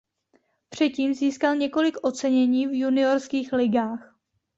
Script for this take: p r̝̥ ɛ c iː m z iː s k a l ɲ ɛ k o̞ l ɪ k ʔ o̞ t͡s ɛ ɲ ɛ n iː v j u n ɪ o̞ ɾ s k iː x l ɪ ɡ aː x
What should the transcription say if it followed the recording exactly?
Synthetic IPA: p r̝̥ ɛ c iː m z iː s k a l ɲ ɛ k o̞ l ɪ k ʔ o̞ t͡s ɛ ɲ ɛ ɲ iː v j u n ɪ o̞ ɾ s k iː x l ɪ ɡ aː x